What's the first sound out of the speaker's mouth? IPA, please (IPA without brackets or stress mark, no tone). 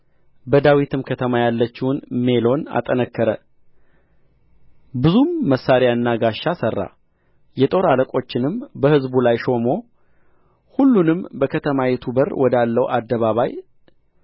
b